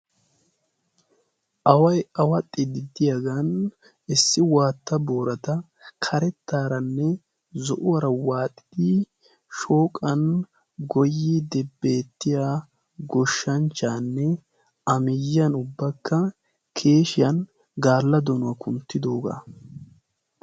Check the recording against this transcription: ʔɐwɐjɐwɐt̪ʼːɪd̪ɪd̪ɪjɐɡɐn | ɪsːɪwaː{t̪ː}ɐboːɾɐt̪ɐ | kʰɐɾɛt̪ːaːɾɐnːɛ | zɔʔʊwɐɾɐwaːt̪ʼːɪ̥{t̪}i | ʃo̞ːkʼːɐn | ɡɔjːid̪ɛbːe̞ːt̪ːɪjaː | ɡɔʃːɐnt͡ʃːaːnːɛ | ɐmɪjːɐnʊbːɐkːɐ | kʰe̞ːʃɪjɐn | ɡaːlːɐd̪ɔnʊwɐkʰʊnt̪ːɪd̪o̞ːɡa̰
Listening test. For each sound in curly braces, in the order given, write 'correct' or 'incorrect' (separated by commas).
correct, incorrect